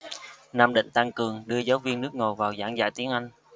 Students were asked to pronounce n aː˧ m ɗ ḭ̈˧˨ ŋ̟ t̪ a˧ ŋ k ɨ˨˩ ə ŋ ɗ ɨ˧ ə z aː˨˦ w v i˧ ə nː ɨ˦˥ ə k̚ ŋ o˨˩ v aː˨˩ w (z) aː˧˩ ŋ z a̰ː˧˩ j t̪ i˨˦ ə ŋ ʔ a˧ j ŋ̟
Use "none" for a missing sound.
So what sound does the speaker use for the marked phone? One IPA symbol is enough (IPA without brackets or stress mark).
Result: z